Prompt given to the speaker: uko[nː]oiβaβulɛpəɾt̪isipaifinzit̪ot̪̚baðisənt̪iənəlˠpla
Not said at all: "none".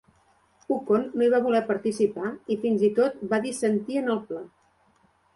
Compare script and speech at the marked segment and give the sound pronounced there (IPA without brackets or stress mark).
nː